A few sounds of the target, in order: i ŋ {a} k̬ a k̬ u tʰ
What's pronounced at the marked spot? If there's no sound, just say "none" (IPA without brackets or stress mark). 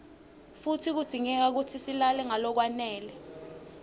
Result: ɛ